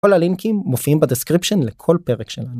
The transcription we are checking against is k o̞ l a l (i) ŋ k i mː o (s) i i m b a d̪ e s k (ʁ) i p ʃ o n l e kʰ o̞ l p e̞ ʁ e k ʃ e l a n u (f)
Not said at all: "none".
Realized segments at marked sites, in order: i, f, ʁ, none

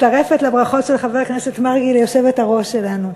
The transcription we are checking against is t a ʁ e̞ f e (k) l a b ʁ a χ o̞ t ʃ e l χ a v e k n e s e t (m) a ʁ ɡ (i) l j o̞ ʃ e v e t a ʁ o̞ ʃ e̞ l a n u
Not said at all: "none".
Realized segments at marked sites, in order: t, m, i

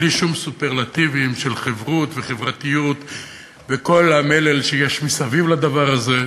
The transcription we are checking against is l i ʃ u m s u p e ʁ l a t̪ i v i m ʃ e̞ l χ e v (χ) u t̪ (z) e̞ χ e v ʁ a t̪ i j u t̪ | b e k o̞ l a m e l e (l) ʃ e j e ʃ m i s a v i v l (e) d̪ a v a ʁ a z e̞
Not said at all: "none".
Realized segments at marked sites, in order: ʁ, v, l, a

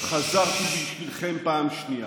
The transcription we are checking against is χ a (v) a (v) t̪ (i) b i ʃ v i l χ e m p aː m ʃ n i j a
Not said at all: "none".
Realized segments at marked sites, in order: z, ʁ, i

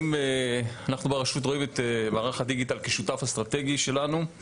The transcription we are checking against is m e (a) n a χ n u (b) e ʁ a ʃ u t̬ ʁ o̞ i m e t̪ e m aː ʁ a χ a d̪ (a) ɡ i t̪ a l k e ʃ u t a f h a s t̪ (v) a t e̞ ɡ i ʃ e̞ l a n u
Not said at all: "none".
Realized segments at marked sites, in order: a, b, i, ʁ

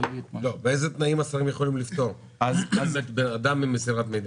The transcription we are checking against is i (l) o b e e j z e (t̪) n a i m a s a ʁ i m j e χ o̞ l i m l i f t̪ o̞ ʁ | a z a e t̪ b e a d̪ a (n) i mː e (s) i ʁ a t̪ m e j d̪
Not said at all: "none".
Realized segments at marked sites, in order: l, t̪, m, s

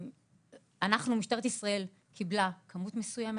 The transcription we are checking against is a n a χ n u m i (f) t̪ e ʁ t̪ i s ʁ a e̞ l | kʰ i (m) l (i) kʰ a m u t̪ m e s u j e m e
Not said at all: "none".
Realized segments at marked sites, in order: ʃ, b, a

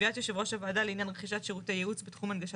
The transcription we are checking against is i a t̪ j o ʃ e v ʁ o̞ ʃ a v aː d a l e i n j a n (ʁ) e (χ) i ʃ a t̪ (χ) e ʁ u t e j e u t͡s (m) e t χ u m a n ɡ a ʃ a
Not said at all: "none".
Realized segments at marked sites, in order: ʁ, χ, ʃ, b

